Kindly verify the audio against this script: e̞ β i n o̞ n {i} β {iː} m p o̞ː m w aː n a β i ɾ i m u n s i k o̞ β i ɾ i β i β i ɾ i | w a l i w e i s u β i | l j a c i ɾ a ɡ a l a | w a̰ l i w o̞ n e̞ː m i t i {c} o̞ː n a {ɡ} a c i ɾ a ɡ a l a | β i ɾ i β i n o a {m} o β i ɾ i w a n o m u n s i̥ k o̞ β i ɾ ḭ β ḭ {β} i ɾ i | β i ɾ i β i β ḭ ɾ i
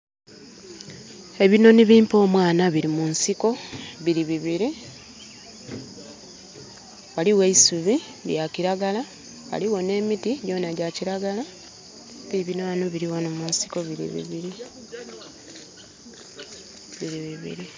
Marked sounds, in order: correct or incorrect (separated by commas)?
correct, correct, incorrect, incorrect, incorrect, correct